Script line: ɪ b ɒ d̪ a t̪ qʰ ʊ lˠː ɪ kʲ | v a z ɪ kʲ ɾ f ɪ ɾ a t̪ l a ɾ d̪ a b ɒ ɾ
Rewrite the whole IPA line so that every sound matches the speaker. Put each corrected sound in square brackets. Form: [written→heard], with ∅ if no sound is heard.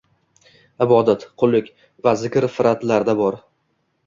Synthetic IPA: ɪ b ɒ d̪ a t̪ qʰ ʊ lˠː ɪ kʲ | v a z ɪ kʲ ɾ f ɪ ɾ a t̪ l a ɾ d̪ a b ɒ ɾ